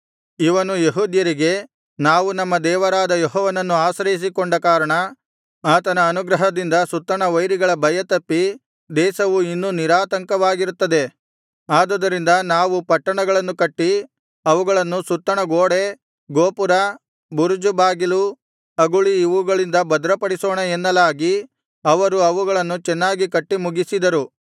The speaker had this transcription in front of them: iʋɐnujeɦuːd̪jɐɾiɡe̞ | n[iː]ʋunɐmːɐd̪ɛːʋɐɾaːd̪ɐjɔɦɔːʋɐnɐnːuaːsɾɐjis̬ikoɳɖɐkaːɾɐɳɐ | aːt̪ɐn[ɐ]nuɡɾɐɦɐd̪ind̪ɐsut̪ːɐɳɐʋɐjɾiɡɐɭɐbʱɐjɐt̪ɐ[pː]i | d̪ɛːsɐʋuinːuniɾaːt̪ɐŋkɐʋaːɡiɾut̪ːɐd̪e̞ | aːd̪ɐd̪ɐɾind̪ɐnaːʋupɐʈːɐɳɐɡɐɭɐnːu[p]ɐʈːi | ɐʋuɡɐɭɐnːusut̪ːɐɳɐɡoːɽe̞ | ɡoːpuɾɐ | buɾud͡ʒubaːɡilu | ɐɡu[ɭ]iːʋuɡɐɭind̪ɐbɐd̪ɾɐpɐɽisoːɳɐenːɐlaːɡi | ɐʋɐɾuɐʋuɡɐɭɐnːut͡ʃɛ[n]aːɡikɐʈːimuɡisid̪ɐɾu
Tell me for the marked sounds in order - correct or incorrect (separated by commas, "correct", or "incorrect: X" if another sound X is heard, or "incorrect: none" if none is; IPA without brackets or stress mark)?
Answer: incorrect: aː, incorrect: ɐː, correct, incorrect: k, correct, incorrect: nː